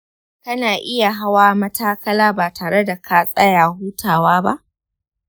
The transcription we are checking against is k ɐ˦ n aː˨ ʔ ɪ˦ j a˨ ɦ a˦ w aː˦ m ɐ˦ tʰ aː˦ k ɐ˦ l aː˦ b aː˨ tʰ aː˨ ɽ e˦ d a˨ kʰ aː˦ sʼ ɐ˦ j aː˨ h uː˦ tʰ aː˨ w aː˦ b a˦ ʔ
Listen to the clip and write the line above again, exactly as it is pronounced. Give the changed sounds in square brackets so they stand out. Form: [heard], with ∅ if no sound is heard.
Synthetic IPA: k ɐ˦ n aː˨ ʔ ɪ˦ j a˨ ɦ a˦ w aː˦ m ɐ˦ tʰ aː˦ k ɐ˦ l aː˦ b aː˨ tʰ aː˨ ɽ e˦ d a˨ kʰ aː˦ sʼ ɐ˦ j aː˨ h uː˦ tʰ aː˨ w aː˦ b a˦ ʔ